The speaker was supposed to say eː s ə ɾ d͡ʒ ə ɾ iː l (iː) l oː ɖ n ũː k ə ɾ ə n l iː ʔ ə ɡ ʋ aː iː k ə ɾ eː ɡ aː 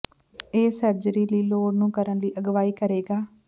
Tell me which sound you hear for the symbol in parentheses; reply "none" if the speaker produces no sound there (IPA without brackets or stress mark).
iː